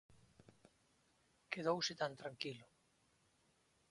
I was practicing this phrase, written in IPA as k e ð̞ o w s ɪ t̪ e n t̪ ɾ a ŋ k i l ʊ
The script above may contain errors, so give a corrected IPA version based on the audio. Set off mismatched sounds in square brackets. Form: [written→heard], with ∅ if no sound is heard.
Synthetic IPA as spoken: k e ð̞ o w s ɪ t̪ [e→a] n t̪ ɾ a ŋ k i l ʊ